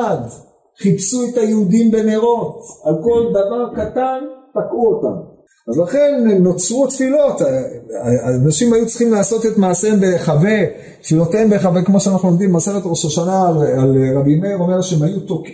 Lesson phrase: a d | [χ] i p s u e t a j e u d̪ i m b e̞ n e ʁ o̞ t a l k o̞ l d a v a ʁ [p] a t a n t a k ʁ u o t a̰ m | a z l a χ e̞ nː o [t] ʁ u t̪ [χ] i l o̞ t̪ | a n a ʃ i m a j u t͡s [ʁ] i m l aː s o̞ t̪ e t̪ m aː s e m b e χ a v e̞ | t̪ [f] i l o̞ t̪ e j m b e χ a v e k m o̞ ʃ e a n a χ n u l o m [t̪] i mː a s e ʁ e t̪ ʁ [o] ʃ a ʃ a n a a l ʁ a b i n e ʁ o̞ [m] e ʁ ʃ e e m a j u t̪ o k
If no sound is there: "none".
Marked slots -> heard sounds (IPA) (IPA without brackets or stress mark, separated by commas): χ, k, t͡s, f, χ, f, d̪, o, m